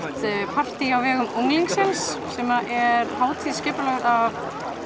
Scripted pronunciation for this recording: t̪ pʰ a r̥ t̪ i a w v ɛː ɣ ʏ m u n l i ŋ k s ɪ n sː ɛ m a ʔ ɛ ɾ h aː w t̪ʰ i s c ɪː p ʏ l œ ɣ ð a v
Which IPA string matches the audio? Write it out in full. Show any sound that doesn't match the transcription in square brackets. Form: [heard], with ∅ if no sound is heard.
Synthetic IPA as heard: t̪ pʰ a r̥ t̪ i a w v ɛː ɣ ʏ m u [ŋ] l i ŋ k s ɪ n sː ɛ m a ʔ ɛ ɾ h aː w t̪ʰ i s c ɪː p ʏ l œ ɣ ð a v